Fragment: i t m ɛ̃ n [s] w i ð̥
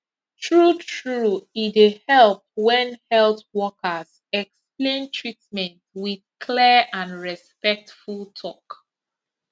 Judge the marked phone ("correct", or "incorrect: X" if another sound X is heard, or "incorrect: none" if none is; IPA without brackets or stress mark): incorrect: t